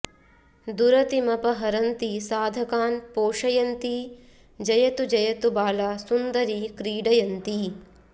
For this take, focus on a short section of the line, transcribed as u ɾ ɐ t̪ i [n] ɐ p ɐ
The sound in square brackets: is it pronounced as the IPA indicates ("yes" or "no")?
no